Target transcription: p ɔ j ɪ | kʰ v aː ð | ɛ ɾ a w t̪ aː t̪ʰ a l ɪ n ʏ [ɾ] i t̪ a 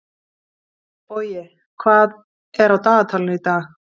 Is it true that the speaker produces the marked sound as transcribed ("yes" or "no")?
no